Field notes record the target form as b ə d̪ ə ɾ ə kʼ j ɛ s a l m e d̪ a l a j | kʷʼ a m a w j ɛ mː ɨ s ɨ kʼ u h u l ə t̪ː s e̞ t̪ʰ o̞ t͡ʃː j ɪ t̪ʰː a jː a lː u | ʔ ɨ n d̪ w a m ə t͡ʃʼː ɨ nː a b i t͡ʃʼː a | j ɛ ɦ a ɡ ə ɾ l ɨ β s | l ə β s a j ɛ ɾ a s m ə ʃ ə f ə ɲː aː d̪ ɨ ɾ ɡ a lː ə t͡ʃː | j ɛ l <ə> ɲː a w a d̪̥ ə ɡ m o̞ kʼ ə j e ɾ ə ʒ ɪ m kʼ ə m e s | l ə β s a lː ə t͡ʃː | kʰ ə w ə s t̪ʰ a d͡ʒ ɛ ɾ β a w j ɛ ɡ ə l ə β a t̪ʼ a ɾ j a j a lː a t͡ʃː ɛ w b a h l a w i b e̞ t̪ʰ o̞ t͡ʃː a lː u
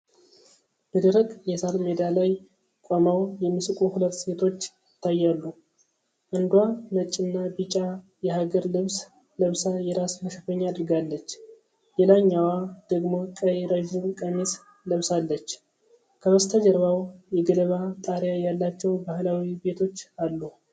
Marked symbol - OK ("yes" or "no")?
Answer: no